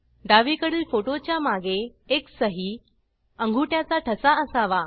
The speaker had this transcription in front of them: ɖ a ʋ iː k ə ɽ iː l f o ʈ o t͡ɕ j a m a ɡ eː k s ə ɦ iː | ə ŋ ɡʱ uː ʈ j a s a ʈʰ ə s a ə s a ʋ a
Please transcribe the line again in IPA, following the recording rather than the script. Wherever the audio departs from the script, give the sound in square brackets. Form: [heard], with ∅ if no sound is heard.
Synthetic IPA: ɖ a ʋ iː k ə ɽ iː l f o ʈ o t͡ɕ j a m a ɡ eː k s ə ɦ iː | ə ŋ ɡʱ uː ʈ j a [t͡s] a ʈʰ ə s a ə s a ʋ a